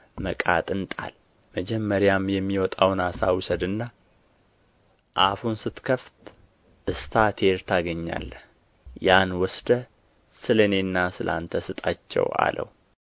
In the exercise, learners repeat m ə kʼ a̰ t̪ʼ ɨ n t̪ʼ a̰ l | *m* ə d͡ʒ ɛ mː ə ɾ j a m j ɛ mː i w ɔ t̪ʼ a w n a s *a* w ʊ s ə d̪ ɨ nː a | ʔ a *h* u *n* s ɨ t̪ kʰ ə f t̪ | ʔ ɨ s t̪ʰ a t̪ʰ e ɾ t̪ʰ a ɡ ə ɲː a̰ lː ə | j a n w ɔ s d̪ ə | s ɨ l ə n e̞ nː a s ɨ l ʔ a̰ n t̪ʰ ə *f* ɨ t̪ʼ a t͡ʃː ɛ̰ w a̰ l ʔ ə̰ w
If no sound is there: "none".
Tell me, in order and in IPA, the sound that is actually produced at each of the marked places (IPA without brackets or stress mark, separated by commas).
m, a, f, n, s